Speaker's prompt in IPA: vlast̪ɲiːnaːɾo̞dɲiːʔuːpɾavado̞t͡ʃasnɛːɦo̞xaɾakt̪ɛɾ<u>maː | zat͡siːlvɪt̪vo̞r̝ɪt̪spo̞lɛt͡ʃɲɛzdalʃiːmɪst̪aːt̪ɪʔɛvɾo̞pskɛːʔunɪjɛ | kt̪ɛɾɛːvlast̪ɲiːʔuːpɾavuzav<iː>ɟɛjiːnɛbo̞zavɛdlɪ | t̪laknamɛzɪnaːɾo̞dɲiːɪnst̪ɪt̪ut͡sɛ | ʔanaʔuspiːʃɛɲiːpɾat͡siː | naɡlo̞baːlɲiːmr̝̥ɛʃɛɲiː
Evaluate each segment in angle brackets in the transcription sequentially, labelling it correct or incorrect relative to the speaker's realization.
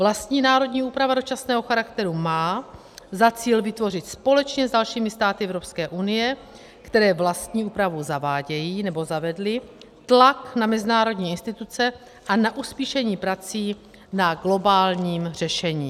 correct, incorrect: aː

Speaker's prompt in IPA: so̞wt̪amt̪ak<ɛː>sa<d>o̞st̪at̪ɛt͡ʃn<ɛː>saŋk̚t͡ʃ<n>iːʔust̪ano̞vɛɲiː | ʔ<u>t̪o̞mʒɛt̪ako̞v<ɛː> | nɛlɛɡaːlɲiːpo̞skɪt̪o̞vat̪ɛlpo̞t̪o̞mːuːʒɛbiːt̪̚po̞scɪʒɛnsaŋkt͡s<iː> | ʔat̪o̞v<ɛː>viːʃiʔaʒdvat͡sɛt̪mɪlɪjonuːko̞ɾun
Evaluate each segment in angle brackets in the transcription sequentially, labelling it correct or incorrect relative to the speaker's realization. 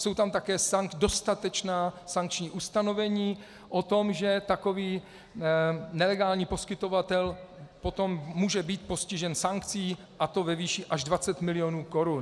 correct, correct, incorrect: aː, incorrect: ɲ, incorrect: o, incorrect: iː, correct, incorrect: ɛ

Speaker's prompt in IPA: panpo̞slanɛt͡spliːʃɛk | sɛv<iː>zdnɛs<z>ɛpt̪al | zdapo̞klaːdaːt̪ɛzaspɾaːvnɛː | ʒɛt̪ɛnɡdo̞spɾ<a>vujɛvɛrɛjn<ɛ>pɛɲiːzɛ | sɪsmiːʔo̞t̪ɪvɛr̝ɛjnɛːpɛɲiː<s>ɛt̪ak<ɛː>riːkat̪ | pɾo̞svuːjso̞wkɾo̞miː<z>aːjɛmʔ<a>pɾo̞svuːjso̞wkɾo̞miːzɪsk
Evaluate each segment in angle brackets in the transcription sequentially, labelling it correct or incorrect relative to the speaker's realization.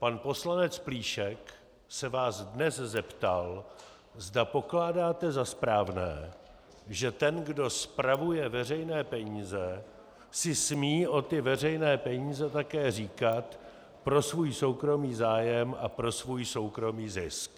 incorrect: aː, correct, correct, incorrect: ɛː, incorrect: z, correct, correct, correct

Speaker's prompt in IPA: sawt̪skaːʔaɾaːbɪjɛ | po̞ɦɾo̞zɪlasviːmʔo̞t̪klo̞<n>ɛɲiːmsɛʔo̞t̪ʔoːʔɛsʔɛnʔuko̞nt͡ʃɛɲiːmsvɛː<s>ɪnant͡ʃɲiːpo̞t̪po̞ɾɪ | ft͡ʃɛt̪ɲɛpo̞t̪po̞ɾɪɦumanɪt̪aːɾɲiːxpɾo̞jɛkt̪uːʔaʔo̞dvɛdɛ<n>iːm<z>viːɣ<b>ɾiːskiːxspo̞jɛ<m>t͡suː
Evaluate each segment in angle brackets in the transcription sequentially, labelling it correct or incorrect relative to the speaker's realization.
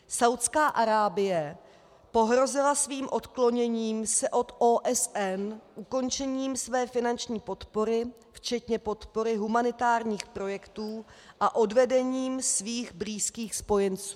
incorrect: ɲ, incorrect: f, incorrect: ɲ, incorrect: s, correct, incorrect: n

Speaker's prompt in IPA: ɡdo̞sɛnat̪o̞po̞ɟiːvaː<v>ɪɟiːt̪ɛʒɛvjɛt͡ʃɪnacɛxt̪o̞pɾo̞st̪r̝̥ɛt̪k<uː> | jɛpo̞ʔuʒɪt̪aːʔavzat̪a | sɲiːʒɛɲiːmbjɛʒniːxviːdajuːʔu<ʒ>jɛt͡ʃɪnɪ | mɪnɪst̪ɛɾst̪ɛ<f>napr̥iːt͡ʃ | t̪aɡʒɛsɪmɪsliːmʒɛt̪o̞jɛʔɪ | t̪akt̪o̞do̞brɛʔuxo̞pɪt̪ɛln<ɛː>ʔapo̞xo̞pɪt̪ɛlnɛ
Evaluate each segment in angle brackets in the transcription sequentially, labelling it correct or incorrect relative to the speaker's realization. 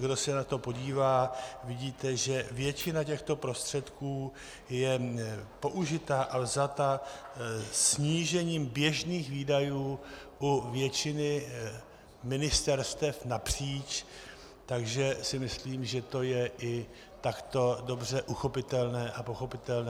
correct, correct, incorrect: v, correct, correct

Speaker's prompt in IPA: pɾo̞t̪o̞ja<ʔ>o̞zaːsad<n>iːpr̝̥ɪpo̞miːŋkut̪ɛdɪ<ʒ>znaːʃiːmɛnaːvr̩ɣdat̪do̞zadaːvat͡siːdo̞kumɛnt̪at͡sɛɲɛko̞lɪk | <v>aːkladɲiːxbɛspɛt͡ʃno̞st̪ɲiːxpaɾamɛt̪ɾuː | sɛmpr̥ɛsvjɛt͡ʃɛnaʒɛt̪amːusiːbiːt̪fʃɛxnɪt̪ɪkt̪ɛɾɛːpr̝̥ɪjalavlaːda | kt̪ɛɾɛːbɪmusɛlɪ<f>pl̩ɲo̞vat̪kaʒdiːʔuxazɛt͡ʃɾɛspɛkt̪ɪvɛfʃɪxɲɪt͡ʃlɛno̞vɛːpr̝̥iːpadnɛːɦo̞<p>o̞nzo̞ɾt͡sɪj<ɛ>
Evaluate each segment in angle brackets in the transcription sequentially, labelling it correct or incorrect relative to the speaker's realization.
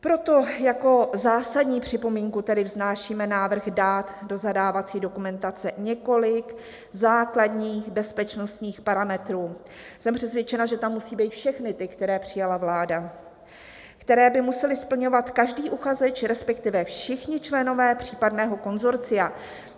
incorrect: k, incorrect: ɲ, incorrect: v, incorrect: z, incorrect: s, incorrect: k, incorrect: a

